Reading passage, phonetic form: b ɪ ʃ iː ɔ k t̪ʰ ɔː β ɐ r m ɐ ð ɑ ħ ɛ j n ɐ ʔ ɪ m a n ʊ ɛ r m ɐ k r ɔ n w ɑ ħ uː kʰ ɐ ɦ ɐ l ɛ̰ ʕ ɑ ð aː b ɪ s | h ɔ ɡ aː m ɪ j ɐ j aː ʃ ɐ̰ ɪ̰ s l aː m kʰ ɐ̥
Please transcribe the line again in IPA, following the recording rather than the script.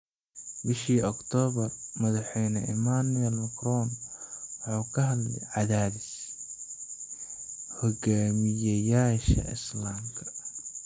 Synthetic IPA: b ɪ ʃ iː ɔ k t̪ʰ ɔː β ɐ r m ɐ ð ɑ ħ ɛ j n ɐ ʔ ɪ m a n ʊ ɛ l m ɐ k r ɔ n w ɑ ħ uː kʰ ɐ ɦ ɐ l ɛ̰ ʕ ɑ ð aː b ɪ s | h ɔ ɡ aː m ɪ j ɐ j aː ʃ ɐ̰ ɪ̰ s l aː m kʰ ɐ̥

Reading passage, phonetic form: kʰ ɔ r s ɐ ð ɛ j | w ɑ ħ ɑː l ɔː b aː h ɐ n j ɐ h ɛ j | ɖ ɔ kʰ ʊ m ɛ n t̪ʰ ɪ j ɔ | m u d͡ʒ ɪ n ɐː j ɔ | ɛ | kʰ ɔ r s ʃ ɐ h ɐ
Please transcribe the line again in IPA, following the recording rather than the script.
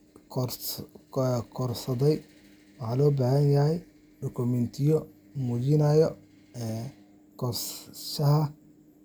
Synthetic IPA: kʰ ɔ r s ɐ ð ɛ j | w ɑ ħ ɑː l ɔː b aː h ɐ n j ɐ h ɛ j | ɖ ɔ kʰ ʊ m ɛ n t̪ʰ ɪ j ɔ | m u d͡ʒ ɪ n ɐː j ɔ | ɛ | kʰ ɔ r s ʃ ɐ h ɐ

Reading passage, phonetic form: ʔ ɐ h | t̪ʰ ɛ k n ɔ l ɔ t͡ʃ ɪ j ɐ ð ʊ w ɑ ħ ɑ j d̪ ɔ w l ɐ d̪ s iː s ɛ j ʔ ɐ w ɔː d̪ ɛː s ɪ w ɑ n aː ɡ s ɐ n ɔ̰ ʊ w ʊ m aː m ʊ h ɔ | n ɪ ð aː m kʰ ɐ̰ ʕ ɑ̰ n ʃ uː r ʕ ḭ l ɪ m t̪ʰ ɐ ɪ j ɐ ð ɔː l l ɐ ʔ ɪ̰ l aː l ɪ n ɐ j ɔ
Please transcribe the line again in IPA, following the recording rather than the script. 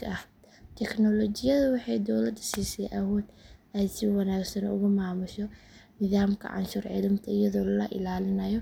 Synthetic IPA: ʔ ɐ h | t̪ʰ ɛ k n ɔ l ɔ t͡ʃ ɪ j ɐ ð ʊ w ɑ ħ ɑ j d̪ ɔ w l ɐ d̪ s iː s ɛ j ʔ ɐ w ɔː d̪ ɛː s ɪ w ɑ n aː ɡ s ɐ n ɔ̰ ʊ ɣ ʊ m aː m ʊ ʃ ɔ | n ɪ ð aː m kʰ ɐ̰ ʕ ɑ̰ n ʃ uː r ʕ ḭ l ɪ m t̪ʰ ɐ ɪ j ɐ ð ɔː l l ɐ ʔ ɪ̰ l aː l ɪ n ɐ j ɔ

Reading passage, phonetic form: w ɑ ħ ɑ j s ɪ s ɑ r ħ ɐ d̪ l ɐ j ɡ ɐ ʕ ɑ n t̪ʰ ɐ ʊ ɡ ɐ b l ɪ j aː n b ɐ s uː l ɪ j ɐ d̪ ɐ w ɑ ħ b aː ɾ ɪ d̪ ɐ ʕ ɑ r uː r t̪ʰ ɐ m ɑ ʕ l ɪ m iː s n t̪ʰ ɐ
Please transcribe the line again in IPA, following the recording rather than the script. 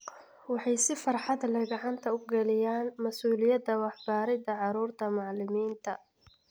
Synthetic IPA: w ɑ ħ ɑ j s ɪ f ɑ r ħ ɑ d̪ l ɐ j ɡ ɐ ʕ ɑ n t̪ʰ ɐ ʊ ɡ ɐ l ɪ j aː n m ɐ s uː l ɪ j ɐ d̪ ɐ w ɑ ħ b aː ɾ ɪ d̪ ɐ ʕ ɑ ɾ uː r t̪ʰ ɐ m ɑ ʕ l ɪ m iː n t̪ʰ ɐ

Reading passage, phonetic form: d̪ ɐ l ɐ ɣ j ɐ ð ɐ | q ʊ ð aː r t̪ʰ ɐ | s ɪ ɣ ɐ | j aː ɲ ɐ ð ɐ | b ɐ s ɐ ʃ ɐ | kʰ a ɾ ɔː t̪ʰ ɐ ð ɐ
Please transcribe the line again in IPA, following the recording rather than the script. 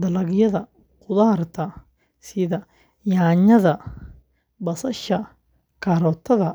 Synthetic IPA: d̪ ɐ l ɐ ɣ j ɐ ð ɐ | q ʊ ð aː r t̪ʰ ɐ | s ɪ ð ɐ | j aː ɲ ɐ ð ɐ | b ɐ s ɐ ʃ ɐ | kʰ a ɾ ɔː t̪ʰ ɐ ð ɐ

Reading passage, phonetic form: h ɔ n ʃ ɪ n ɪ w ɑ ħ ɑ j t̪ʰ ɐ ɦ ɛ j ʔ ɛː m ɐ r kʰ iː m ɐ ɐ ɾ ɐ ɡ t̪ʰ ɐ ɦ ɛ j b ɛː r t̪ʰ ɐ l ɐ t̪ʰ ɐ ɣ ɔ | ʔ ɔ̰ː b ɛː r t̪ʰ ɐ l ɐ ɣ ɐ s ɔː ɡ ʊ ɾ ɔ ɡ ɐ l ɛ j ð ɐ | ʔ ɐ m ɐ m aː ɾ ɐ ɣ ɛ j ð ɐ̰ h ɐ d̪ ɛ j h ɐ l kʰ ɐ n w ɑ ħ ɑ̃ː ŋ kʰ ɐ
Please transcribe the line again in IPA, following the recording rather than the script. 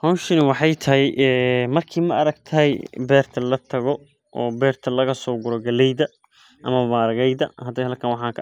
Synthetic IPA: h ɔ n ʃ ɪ n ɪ w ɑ ħ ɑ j t̪ʰ ɐ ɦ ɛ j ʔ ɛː m ɐ r kʰ iː m ɐ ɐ ɾ ɐ ɡ t̪ʰ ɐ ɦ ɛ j b ɛː r t̪ʰ ɐ l ɐ t̪ʰ ɐ ɣ ɔ | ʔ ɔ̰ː b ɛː r t̪ʰ ɐ l ɐ ɣ ɐ s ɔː ɡ ʊ ɾ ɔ ɡ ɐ l ɛ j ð ɐ | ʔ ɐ m ɐ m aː ɾ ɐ ɣ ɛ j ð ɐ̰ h ɐ d̪ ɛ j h ɐ l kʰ ɐ n w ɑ ħ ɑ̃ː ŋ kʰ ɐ

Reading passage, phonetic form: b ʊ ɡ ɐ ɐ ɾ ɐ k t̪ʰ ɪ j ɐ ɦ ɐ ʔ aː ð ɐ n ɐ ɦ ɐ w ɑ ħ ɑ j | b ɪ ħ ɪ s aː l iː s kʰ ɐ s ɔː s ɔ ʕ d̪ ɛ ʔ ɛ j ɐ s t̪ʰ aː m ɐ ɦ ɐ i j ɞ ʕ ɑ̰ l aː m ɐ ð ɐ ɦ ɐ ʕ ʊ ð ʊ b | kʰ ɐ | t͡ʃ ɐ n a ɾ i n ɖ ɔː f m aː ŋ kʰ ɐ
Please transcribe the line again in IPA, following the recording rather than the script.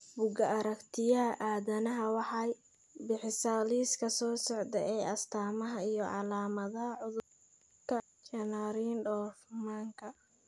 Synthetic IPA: b ʊ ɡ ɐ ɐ ɾ ɐ k t̪ʰ ɪ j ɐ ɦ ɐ ʔ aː ð ɐ n ɐ ɦ ɐ w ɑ ħ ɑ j | b ɪ ħ ɪ s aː l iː s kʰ ɐ s ɔː s ɔ ʕ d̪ ɛ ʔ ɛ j ɐ s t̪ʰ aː m ɐ ɦ ɐ i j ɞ ʕ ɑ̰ l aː m ɐ ð ɐ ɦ ɐ ʕ ʊ ð ʊ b | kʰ ɐ | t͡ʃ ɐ n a ɾ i n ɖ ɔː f m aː ŋ kʰ ɐ

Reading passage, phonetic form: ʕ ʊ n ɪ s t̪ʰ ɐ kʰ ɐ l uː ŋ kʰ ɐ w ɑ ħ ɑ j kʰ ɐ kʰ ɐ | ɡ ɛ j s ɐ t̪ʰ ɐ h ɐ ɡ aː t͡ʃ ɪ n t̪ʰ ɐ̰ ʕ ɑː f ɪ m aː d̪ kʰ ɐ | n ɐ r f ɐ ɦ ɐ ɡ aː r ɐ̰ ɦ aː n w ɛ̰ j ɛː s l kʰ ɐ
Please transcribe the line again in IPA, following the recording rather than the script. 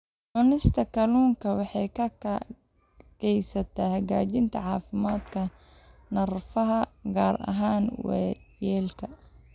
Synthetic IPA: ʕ ʊ n ɪ s t̪ʰ ɐ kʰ ɐ l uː ŋ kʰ ɐ w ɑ ħ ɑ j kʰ ɐ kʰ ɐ | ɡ ɛ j s ɐ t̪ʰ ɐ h ɐ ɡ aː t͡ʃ ɪ n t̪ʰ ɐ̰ ʕ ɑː f ɪ m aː d̪ kʰ ɐ | n ɐ r f ɐ ɦ ɐ ɡ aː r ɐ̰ ɦ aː n w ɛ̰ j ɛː l kʰ ɐ

